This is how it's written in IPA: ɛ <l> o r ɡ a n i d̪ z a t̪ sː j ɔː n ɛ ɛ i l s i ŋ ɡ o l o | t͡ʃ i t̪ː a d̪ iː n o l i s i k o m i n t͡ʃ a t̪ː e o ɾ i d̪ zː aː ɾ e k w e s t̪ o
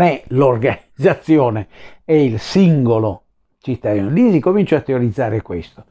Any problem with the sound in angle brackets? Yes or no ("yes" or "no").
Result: no